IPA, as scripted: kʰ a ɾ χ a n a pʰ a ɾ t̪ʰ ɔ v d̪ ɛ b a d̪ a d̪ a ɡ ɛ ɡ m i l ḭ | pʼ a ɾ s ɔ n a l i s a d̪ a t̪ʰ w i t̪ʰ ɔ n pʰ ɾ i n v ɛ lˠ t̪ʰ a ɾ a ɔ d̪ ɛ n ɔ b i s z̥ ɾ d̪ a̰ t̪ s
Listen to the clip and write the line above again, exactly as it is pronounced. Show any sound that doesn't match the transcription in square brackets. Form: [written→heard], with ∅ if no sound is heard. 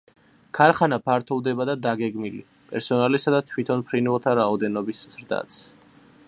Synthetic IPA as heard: kʰ a ɾ χ a n a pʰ a ɾ t̪ʰ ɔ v d̪ ɛ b a d̪ a d̪ a ɡ ɛ ɡ m i l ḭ | pʼ [a→ɛ] ɾ s ɔ n a l i s a d̪ a t̪ʰ w i t̪ʰ ɔ n pʰ ɾ i n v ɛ lˠ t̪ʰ a ɾ a ɔ d̪ ɛ n ɔ b i s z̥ ɾ d̪ a̰ t̪ s